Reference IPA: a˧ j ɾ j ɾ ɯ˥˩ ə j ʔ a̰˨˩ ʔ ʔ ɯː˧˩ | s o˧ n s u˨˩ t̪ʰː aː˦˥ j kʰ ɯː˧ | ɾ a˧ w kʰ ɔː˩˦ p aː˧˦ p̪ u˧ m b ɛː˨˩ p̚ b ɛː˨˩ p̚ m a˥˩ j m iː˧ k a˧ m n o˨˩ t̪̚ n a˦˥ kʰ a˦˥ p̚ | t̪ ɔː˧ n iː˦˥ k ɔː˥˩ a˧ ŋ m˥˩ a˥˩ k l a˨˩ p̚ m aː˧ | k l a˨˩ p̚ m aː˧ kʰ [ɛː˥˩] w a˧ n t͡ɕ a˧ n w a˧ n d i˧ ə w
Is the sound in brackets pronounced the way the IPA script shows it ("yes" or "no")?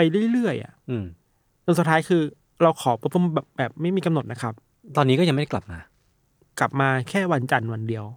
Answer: yes